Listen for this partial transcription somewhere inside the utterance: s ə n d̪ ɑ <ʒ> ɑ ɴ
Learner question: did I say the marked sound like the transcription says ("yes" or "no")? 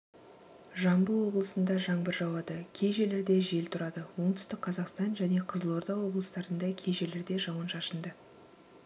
yes